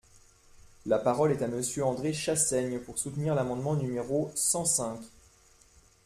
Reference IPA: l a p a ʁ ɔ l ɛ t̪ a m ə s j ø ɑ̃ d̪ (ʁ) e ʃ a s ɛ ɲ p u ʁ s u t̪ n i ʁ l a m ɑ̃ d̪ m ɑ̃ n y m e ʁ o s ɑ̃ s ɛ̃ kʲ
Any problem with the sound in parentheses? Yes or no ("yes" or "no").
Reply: no